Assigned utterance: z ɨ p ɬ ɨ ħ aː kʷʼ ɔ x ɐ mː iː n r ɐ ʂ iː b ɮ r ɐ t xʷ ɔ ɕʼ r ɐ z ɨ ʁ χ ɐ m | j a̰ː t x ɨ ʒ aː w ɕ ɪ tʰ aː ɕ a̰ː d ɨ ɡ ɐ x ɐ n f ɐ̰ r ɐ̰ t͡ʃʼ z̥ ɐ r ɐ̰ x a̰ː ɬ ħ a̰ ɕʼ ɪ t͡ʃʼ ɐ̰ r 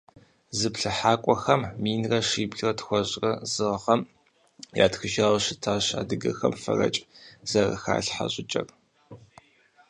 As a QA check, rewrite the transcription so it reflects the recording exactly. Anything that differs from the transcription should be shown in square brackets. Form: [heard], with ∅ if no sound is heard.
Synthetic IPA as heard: z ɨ p ɬ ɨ ħ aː kʷʼ ɔ x ɐ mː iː n r ɐ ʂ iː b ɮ r ɐ t xʷ ɔ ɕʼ r ɐ z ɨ ʁ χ ɐ m | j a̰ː t x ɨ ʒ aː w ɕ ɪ tʰ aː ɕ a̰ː d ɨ ɡ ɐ x ɐ [m] f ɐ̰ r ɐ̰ t͡ʃʼ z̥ ɐ r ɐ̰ x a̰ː ɬ ħ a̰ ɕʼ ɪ t͡ʃʼ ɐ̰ r